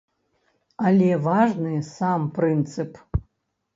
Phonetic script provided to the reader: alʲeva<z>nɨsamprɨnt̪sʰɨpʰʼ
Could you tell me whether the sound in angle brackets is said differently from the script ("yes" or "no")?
yes